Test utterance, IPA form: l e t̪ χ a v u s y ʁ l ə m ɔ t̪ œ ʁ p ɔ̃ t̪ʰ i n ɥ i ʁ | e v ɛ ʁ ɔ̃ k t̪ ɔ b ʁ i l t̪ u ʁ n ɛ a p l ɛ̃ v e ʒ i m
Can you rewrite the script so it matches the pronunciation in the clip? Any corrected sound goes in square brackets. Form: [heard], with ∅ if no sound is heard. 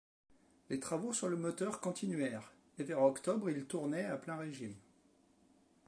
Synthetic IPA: l e t̪ χ a v [o] s y ʁ l ə m ɔ t̪ œ ʁ [k] ɔ̃ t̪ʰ i n ɥ [ɛ] ʁ | e v ɛ ʁ [ɔ] k t̪ ɔ b ʁ i l t̪ u ʁ n ɛ a p l ɛ̃ [ʁ] e ʒ i m